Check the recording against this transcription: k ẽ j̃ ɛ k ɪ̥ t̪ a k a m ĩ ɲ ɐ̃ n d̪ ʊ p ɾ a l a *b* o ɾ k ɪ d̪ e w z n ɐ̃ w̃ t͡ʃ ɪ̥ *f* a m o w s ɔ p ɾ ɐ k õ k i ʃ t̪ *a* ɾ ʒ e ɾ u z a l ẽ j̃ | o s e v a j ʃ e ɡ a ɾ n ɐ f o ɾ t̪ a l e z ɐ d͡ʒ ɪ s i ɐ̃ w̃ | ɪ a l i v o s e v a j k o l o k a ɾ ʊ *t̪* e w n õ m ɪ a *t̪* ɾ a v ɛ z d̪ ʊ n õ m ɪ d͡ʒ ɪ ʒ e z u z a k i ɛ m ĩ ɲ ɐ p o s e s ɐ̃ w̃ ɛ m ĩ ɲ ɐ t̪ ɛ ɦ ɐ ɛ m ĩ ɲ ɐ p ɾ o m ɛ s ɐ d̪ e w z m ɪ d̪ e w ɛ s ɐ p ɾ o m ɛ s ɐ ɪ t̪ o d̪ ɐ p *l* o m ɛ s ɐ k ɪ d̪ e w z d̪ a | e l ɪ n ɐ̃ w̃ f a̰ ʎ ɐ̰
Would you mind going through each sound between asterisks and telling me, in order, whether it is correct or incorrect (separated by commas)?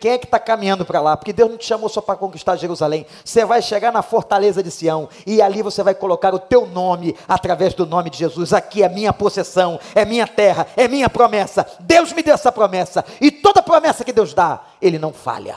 incorrect, incorrect, correct, correct, correct, incorrect